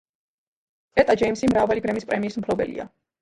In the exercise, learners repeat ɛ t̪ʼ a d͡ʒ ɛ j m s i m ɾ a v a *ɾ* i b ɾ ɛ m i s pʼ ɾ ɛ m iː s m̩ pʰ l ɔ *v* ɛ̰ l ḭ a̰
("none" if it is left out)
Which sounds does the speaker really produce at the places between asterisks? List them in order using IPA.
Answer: l, b

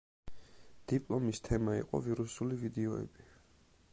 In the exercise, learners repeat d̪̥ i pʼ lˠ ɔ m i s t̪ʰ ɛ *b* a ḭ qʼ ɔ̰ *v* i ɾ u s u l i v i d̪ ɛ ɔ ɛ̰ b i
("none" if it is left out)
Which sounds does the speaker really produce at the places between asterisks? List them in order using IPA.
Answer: m, v

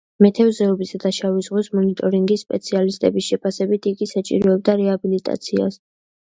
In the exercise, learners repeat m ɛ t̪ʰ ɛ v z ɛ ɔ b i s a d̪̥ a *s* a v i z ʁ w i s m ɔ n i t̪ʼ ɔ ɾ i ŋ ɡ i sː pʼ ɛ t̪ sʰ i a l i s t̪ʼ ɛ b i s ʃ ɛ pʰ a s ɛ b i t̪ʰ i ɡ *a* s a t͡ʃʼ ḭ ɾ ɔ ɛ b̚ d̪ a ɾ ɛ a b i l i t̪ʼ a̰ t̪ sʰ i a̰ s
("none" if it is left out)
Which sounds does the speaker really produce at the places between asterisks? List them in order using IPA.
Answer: ʃ, i

